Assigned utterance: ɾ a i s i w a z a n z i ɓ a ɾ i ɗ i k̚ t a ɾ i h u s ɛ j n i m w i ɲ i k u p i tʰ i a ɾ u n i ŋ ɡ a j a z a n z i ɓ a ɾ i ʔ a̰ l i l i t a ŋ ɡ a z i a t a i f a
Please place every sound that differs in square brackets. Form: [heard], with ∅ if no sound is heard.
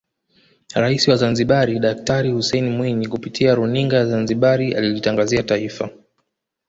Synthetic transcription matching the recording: ɾ a i s i w a z a n z i ɓ a ɾ i ɗ [a] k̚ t a ɾ i h u s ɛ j n i m w i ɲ i k u p i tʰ i a ɾ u n i ŋ ɡ a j a z a n z i ɓ a ɾ i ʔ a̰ l i l i t a ŋ ɡ a z i a t a i f a